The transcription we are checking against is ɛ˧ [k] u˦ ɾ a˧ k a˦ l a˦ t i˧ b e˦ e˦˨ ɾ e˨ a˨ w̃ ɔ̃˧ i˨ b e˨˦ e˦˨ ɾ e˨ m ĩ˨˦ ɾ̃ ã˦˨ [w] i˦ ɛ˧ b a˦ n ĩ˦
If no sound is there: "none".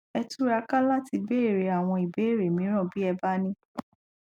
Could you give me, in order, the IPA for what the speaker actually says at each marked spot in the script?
t, b

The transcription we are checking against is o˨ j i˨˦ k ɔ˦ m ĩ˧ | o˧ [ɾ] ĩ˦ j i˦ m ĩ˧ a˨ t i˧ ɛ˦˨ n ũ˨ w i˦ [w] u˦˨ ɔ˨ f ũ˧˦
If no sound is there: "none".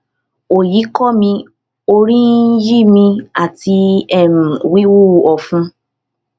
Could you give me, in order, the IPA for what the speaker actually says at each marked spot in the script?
ɾ, w

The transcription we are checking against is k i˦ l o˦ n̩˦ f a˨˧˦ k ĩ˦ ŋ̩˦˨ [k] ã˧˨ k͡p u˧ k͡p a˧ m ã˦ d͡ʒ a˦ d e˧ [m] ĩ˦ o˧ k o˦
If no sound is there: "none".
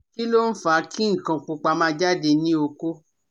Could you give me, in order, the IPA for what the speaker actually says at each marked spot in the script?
k, n

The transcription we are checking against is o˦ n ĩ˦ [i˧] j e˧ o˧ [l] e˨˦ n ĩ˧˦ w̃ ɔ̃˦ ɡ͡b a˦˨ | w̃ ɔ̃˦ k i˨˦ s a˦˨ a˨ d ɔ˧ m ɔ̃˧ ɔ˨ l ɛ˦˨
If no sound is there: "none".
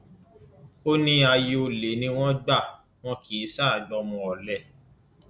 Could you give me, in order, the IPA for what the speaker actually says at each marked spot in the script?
a˧, l

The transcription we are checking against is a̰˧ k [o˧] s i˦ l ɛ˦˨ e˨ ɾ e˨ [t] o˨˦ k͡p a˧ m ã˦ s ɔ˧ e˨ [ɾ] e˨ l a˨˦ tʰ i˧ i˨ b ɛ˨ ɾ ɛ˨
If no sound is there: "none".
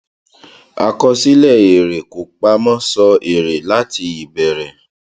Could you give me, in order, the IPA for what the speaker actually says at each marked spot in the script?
ɔ˧, k, ɾ

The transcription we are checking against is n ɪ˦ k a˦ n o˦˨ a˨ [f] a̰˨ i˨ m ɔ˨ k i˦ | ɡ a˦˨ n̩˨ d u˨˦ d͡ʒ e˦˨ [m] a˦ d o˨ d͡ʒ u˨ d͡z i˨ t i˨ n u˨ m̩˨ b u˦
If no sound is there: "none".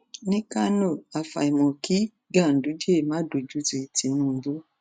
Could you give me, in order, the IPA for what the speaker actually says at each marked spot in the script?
f, m

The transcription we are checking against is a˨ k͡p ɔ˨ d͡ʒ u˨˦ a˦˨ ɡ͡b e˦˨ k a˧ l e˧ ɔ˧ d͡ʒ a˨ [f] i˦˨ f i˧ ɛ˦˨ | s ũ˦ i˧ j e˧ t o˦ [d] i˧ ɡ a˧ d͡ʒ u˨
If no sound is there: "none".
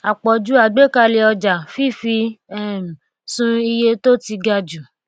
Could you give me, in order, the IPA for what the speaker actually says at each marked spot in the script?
f, t

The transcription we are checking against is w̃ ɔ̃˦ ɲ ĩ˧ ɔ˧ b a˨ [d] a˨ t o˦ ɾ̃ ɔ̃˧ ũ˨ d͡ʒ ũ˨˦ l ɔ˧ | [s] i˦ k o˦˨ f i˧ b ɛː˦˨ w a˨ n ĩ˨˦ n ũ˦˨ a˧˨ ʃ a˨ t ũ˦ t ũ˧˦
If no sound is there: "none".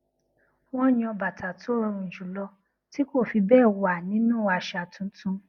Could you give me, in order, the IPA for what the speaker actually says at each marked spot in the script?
t, t

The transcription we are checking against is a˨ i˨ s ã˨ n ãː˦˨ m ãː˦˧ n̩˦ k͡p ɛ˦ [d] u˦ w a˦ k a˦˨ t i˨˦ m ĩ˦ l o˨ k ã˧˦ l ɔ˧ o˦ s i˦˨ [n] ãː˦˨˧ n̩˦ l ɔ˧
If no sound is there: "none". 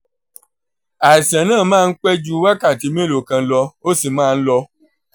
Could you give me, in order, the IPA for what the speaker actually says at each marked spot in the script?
d͡ʒ, m

